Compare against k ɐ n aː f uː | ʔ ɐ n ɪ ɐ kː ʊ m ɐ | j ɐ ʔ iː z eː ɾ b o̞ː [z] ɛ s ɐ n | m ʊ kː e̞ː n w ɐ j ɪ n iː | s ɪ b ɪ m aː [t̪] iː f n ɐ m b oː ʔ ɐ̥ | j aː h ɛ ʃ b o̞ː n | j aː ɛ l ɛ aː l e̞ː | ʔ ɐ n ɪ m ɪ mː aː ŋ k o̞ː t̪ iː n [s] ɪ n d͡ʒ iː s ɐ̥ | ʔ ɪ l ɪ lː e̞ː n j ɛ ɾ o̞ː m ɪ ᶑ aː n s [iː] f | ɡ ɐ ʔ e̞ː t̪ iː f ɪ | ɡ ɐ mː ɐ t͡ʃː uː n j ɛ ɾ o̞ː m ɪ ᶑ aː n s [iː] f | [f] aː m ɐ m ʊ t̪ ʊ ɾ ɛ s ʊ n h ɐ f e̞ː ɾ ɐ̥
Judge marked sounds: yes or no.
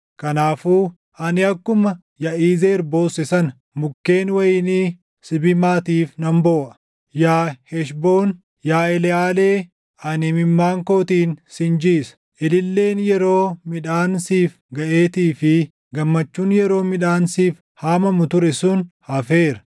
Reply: no, yes, yes, yes, yes, no

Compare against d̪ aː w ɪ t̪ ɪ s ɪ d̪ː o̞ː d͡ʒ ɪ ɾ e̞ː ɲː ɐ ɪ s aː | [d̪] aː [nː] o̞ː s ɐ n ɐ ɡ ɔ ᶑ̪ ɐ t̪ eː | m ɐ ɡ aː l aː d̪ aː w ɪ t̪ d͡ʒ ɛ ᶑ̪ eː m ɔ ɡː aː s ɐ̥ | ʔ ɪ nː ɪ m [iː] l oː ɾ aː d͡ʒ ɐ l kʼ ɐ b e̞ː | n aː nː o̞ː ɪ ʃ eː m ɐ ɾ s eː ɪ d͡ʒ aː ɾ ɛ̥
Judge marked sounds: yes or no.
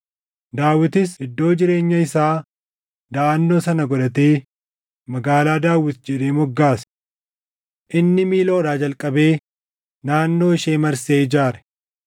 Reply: yes, yes, yes

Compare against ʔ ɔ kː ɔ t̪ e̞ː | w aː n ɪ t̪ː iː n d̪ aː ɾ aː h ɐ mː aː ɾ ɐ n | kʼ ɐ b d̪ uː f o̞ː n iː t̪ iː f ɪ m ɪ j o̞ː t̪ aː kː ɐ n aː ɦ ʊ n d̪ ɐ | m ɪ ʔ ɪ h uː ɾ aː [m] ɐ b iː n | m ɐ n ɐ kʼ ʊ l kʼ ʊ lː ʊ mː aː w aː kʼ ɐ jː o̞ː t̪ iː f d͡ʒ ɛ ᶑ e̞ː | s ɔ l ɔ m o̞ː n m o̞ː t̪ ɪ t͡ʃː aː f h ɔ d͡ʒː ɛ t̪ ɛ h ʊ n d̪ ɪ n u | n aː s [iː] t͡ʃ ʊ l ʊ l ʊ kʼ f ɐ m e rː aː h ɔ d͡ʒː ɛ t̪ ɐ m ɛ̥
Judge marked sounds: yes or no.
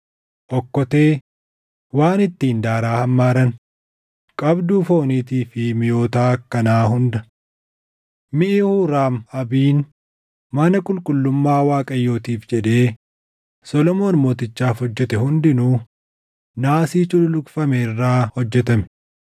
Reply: yes, yes

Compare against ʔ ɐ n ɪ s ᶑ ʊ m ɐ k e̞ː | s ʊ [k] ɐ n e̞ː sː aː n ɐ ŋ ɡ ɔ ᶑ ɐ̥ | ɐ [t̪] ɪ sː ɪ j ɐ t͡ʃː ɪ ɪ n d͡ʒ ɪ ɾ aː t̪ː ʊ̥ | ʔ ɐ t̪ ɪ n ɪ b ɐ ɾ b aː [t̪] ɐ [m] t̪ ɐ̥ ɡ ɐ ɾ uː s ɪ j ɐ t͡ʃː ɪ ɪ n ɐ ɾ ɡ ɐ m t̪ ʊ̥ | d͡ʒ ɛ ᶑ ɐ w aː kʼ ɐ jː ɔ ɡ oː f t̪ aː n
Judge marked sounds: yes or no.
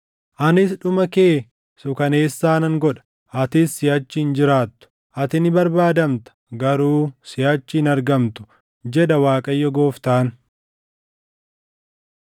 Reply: yes, yes, no, yes

